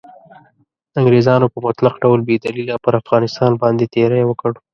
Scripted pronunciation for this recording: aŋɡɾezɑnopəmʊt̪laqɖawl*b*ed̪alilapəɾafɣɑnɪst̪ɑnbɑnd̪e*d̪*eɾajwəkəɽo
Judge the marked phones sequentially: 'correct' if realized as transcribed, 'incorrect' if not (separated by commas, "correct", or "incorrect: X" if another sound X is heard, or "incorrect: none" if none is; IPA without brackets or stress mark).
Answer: correct, incorrect: t̪